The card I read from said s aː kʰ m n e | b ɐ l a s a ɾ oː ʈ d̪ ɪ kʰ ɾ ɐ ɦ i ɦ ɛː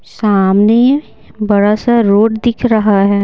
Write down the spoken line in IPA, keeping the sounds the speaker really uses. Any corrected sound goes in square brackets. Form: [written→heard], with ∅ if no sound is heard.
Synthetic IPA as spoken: s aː [kʰ→∅] m n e | b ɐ [l→ɽ] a s a ɾ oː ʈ d̪ ɪ kʰ ɾ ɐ ɦ [i→a] ɦ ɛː